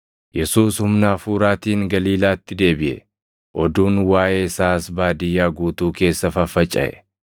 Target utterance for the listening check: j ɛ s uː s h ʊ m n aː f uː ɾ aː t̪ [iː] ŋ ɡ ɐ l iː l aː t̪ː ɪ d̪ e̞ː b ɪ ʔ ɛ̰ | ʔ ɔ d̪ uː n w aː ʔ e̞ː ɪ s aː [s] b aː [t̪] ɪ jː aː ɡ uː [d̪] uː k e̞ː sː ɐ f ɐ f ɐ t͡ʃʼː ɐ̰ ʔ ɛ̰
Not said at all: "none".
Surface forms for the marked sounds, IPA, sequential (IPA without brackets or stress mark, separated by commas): iː, s, d̪, t̪